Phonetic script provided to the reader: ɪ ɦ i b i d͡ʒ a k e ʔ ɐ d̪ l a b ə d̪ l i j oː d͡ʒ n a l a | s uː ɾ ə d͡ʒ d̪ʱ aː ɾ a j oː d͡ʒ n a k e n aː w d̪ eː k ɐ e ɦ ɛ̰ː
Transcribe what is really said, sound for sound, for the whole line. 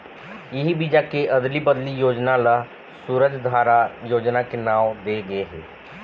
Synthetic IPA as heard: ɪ ɦ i b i d͡ʒ a k e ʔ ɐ d̪ l i b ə d̪ l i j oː d͡ʒ n a l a | s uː ɾ ə d͡ʒ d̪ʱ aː ɾ a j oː d͡ʒ n a k e n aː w d̪ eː ɡ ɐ e ɦ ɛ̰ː